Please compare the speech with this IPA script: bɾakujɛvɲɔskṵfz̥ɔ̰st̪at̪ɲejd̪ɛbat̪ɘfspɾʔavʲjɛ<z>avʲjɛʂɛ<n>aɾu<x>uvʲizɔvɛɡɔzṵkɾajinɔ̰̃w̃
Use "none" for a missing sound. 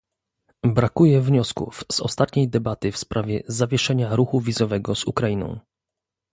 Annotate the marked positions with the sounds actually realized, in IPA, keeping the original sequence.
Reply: z, ɲ, x

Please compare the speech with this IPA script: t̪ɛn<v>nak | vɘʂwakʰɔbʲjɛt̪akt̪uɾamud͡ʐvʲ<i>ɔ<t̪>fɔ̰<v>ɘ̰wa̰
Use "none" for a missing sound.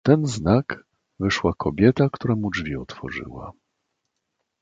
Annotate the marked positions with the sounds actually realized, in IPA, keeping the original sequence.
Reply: z, i, t̪, ʐ

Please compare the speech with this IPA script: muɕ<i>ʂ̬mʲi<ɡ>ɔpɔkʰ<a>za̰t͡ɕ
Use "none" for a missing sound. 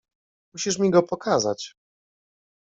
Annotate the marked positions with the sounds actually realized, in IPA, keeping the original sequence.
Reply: i, ɡ, a

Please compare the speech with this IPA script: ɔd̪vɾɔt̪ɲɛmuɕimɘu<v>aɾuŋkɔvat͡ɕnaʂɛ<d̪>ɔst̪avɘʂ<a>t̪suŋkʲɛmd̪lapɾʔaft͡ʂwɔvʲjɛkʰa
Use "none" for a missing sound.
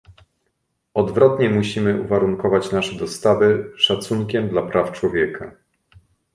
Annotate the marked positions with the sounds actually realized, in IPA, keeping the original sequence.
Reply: v, d̪, a

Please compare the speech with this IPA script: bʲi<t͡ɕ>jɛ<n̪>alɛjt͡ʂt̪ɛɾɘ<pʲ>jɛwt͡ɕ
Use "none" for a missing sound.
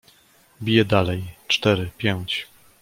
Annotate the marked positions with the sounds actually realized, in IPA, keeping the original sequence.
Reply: none, d̪, pʲ

